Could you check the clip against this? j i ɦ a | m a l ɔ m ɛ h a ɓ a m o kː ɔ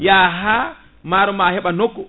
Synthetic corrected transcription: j a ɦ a | m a ɾ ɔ m a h ɛ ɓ a n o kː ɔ